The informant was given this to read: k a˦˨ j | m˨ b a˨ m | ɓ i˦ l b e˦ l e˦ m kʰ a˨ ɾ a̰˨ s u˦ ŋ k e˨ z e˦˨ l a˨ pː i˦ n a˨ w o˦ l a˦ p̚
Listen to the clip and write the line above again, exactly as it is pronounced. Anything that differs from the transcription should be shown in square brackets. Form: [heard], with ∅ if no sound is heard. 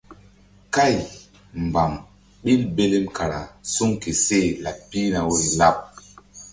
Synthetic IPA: k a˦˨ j | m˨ b a˨ m | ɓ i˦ l b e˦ l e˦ m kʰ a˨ ɾ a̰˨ s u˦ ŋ k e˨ [s] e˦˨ l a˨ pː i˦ n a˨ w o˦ l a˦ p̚